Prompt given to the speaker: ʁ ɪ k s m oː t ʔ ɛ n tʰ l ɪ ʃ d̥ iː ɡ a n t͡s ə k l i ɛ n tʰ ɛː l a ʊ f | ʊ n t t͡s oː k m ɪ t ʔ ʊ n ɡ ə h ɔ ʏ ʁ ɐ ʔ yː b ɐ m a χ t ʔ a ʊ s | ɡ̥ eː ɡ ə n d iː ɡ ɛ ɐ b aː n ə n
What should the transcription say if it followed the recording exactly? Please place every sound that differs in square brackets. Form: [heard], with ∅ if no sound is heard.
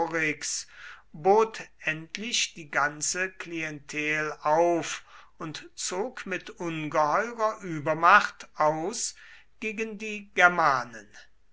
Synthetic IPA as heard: ʁ ɪ k s [b] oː t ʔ ɛ n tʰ l ɪ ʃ d̥ iː ɡ a n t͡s ə k l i ɛ n tʰ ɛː l a ʊ f | ʊ n t t͡s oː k m ɪ t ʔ ʊ n ɡ ə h ɔ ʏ ʁ ɐ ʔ yː b ɐ m a χ t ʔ a ʊ s | ɡ̥ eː ɡ ə n d iː ɡ ɛ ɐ [m] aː n ə n